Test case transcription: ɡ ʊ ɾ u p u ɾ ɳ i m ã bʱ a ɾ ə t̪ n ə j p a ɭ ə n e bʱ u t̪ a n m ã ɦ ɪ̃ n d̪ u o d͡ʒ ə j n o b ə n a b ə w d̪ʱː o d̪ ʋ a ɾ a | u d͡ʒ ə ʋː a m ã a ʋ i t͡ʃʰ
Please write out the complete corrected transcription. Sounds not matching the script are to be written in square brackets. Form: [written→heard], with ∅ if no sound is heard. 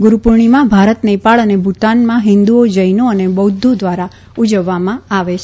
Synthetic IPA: ɡ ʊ ɾ u p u ɾ ɳ i m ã bʱ a ɾ ə t̪ n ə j p a ɭ ə n e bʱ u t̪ a n m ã ɦ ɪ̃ n d̪ u o d͡ʒ ə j n o [b→∅] ə n [a→e] b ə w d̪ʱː o d̪ ʋ a ɾ a | u d͡ʒ ə ʋː a m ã a ʋ [i→e] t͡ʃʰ

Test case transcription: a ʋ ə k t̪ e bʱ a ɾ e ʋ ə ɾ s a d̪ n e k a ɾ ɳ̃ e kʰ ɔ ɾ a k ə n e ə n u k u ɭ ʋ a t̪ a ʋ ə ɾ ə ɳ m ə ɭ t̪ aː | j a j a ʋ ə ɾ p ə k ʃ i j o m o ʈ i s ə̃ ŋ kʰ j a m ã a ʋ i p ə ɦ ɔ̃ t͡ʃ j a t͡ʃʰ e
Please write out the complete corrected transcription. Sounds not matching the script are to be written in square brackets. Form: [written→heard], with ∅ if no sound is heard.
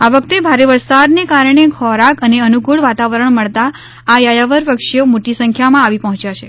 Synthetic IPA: a ʋ ə k t̪ e bʱ a ɾ e ʋ ə ɾ s a d̪ n e k a ɾ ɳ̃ e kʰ ɔ ɾ a k ə n e ə n u k u ɭ ʋ a t̪ a ʋ ə ɾ ə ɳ m ə ɭ t̪ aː | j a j a ʋ ə ɾ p ə k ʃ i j o m o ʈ i s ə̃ ŋ kʰ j a m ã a ʋ i p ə ɦ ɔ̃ t͡ʃ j a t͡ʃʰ e

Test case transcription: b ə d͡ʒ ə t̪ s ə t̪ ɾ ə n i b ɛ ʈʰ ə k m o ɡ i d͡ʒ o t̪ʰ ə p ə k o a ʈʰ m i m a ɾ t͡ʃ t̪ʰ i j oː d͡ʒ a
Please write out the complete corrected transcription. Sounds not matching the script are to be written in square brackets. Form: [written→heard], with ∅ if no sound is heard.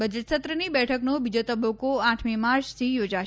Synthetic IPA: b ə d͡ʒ ə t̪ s ə t̪ ɾ ə n i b ɛ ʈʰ ə k [m→n] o [ɡ→b] i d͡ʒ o [t̪ʰ→t̪] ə [p→b] ə k o a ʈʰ m i m a ɾ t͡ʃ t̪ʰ i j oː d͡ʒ a

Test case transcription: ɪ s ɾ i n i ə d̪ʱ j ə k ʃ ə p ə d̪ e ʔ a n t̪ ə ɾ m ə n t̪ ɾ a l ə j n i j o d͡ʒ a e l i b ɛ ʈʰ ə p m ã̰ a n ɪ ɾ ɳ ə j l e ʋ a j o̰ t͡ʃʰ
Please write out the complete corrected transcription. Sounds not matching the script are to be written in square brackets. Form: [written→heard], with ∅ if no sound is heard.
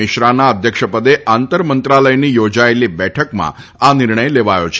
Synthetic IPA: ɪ [s→ʃ] ɾ [i→a] n [i→a] ə d̪ʱ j ə k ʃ ə p ə d̪ e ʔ a n t̪ ə ɾ m ə n t̪ ɾ a l ə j n i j o d͡ʒ a e l i b ɛ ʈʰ ə [p→k] m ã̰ a n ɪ ɾ ɳ ə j l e ʋ a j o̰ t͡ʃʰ

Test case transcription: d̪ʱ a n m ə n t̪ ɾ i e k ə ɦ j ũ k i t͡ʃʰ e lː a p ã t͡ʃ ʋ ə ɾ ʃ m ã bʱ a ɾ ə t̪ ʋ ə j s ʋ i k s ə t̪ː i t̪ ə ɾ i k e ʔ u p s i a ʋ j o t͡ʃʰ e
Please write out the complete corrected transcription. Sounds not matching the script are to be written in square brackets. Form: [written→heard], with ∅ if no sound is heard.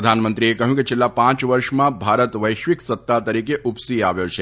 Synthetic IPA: d̪ʱ a n m ə n t̪ ɾ i e k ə ɦ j ũ k i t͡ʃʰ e lː a p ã t͡ʃ ʋ ə ɾ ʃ m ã bʱ a ɾ ə t̪ ʋ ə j [s→ʃ] ʋ i k s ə t̪ː [i→a] t̪ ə ɾ i k e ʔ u p s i a ʋ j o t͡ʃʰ e

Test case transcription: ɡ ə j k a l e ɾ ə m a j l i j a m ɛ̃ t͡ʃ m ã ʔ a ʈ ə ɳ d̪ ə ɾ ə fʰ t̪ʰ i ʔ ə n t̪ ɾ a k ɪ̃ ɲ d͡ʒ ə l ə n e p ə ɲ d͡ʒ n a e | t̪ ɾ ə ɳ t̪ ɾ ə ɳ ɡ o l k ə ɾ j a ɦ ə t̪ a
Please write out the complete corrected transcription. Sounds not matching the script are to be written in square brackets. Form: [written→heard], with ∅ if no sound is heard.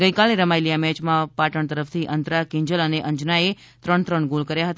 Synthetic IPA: ɡ ə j k a l e ɾ ə m a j l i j a m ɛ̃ t͡ʃ m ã [ʔ→p] a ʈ ə ɳ [d̪→t̪] ə ɾ ə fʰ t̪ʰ i ʔ ə n t̪ ɾ a k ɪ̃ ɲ d͡ʒ ə l ə n e [p→ʔ] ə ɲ d͡ʒ n a e | t̪ ɾ ə ɳ t̪ ɾ ə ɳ ɡ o l k ə ɾ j a ɦ ə t̪ a

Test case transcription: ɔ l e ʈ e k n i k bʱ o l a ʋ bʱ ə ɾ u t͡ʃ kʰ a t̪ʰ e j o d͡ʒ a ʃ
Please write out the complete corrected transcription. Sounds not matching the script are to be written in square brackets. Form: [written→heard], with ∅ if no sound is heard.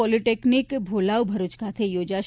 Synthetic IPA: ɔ l [e→i] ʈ e k n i k bʱ o l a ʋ bʱ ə ɾ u t͡ʃ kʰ a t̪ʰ e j o d͡ʒ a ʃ

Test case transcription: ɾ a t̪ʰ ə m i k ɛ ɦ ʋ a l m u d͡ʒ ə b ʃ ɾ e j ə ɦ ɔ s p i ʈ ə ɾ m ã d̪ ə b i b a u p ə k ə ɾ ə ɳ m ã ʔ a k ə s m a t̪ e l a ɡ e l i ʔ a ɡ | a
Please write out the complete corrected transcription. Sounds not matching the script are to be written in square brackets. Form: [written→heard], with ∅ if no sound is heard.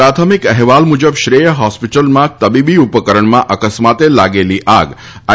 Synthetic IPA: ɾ a t̪ʰ ə m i k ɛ ɦ ʋ a l m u d͡ʒ ə b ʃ ɾ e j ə ɦ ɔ s p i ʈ ə [ɾ→l] m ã [d̪→t̪] ə b i b [a→i] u p ə k ə ɾ ə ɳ m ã ʔ [a→ə] k ə s m a t̪ e l a ɡ e l i ʔ a ɡ | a

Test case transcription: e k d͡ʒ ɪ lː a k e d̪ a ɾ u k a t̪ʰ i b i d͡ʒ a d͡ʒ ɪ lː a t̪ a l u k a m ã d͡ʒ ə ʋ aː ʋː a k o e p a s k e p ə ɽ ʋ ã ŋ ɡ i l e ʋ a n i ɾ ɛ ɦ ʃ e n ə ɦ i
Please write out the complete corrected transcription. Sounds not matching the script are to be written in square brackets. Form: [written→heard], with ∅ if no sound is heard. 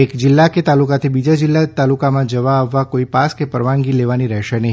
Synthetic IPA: e k d͡ʒ ɪ lː a k e [d̪→t̪] a [ɾ→l] u k a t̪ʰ i b i d͡ʒ a d͡ʒ ɪ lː a t̪ a l u k a m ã d͡ʒ ə ʋ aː ʋː a k o [e→i] p a s k e p ə [ɽ→ɾ] ʋ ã ŋ ɡ i l e ʋ a n i ɾ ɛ ɦ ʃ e n ə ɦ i

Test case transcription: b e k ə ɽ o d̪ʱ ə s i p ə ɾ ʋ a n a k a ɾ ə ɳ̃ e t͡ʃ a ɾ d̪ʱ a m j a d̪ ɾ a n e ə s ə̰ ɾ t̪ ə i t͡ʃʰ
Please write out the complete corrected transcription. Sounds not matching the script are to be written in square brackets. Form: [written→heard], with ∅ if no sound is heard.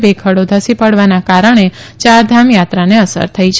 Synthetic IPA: b e [k→kʰ] ə ɽ o d̪ʱ ə s i p ə [ɾ→ɽ] ʋ a n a k a ɾ ə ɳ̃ e t͡ʃ a ɾ d̪ʱ a m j a [d̪→t̪] ɾ a n e ə s ə̰ ɾ [t̪→t̪ʰ] ə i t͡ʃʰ

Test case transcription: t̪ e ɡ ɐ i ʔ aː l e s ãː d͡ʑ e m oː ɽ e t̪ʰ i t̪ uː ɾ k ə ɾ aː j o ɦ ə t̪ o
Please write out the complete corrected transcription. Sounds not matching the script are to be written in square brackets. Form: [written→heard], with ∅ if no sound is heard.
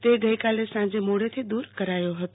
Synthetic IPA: t̪ e ɡ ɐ i [ʔ→k] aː l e s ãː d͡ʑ e m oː ɽ e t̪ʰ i [t̪→d̪] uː ɾ k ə ɾ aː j o ɦ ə t̪ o

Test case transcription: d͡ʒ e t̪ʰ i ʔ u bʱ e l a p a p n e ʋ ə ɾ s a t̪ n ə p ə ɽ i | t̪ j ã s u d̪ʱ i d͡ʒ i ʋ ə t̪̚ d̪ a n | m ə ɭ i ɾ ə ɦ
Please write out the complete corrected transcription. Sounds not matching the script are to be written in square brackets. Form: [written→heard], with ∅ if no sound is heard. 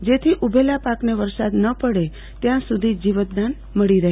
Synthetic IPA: d͡ʒ e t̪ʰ i ʔ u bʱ e l a p a [p→k] n e ʋ ə ɾ s a [t̪→d̪] n ə p ə ɽ [i→e] | t̪ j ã s u d̪ʱ i d͡ʒ i ʋ ə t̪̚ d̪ a n | m ə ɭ i ɾ ə ɦ

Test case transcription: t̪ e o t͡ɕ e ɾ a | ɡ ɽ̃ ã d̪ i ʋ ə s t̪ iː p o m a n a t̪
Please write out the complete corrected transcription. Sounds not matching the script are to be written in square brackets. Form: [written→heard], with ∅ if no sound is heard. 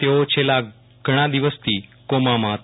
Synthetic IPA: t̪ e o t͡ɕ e [ɾ→l] a | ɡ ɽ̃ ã d̪ i ʋ ə s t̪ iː [p→k] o m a [n→m] a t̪

